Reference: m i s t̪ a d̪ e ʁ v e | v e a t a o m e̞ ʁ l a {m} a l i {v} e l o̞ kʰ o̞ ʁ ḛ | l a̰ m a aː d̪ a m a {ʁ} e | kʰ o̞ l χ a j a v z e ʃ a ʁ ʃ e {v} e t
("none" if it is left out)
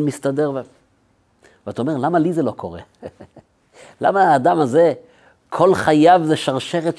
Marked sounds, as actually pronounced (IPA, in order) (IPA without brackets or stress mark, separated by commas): m, z, z, ʁ